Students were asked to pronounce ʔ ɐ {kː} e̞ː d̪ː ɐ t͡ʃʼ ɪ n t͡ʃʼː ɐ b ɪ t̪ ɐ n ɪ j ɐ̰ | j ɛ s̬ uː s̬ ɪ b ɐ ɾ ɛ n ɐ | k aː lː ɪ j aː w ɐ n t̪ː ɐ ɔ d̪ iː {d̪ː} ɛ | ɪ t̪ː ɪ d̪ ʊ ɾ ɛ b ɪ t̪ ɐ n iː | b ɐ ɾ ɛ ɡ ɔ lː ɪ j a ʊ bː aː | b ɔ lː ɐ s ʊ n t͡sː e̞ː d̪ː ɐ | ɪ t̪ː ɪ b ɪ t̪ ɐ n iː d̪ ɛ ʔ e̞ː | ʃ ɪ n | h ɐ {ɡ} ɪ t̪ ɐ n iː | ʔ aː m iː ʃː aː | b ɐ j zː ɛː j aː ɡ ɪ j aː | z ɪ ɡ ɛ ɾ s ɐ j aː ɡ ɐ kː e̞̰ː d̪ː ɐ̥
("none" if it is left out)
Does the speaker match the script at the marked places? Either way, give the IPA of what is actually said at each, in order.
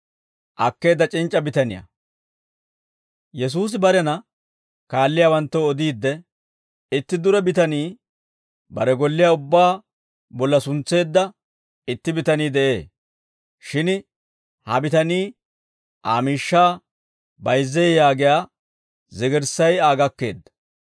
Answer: kː, d̪ː, b

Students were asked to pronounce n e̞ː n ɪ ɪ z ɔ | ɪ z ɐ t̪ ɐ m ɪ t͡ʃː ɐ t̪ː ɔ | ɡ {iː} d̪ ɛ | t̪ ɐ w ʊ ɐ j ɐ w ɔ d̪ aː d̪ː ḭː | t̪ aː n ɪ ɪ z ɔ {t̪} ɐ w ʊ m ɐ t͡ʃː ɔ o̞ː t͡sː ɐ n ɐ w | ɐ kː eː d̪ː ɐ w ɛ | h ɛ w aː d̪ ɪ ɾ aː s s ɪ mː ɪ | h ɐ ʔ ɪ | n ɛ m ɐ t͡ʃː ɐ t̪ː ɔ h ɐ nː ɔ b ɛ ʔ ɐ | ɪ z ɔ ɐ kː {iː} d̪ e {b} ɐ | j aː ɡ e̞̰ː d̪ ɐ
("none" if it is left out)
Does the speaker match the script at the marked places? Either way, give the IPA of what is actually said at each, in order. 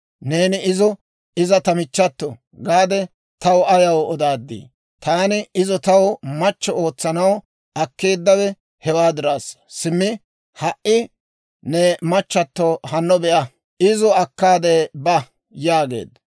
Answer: aː, t̪, aː, b

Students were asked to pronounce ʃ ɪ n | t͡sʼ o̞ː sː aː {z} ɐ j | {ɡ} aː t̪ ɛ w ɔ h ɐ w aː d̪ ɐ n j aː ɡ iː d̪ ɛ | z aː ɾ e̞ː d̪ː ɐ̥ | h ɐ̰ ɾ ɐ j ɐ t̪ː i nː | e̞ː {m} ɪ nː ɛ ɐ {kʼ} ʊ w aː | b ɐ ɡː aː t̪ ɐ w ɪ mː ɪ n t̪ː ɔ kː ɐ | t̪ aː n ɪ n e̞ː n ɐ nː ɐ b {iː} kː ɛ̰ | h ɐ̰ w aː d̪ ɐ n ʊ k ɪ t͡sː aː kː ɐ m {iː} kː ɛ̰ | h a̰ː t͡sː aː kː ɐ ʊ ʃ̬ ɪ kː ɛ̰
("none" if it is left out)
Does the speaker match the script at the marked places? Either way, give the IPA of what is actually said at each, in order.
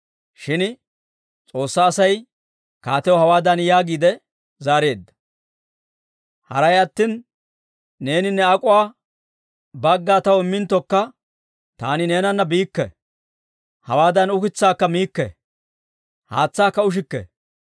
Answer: s, k, n, kʼ, iː, iː

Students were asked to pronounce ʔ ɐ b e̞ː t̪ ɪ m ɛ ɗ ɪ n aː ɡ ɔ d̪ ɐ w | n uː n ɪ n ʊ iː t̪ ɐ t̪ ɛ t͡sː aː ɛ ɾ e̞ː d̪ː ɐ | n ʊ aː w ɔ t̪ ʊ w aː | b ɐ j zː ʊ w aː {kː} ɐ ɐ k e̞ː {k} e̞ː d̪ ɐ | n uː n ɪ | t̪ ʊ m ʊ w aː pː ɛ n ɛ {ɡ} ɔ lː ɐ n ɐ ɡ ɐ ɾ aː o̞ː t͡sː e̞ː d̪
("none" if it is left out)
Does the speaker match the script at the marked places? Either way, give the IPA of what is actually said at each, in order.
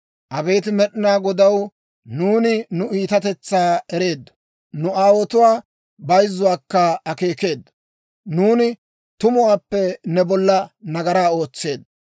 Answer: kː, k, b

